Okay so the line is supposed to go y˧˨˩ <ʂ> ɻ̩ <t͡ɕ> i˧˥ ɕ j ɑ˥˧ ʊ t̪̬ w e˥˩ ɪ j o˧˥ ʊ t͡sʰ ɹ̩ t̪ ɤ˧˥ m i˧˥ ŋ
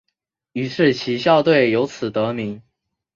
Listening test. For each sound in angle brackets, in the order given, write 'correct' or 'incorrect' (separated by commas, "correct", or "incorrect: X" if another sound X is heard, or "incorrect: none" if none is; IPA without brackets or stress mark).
correct, incorrect: t͡ɕʰ